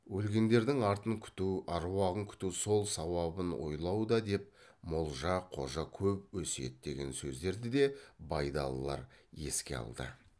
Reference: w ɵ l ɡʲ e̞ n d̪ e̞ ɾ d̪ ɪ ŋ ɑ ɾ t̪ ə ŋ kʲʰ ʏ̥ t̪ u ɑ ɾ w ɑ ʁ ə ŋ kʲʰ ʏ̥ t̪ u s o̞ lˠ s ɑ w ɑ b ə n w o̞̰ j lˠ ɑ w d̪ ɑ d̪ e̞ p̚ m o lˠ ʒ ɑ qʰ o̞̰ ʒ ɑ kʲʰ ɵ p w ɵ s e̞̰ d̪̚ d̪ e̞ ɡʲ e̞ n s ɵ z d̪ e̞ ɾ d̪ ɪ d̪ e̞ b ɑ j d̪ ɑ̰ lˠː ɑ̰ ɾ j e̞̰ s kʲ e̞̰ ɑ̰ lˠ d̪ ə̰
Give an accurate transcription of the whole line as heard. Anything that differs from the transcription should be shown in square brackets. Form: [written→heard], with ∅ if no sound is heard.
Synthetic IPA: w ɵ l ɡʲ e̞ n d̪ e̞ ɾ d̪ ɪ ŋ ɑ ɾ t̪ ə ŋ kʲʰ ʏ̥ t̪ u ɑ ɾ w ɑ ʁ ə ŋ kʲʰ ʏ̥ t̪ u s o̞ lˠ s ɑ w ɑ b ə n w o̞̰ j lˠ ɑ w d̪ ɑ d̪ e̞ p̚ m o lˠ ʒ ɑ qʰ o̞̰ ʒ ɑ kʲʰ ɵ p w ɵ s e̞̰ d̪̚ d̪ e̞ ɡʲ e̞ n s ɵ z d̪ e̞ ɾ d̪ ɪ d̪ e̞ b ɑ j d̪ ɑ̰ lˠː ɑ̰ ɾ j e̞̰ s kʲ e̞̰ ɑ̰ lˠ d̪ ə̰